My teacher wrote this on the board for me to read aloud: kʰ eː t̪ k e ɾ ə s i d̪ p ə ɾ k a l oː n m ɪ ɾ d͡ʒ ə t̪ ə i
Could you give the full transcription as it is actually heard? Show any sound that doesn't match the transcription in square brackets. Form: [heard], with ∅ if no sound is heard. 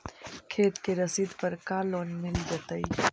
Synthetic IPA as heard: kʰ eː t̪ k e ɾ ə s i d̪ p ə ɾ k a l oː n m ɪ [l] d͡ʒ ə t̪ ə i